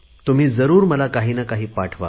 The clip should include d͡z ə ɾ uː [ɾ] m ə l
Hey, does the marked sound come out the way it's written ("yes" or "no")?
yes